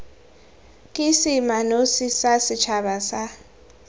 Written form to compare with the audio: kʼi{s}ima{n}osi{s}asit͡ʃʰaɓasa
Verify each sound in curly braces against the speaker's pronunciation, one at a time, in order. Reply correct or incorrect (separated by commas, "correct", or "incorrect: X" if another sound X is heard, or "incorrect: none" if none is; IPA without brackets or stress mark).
correct, correct, correct